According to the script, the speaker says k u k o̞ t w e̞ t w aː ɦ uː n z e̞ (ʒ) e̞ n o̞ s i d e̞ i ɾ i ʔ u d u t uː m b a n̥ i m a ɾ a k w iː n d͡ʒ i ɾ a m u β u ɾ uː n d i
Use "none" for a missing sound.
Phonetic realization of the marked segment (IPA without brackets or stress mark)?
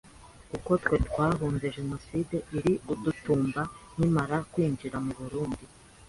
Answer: ʒ